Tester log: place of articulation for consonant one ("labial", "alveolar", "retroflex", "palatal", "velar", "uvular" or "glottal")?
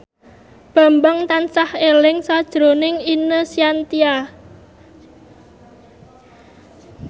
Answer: labial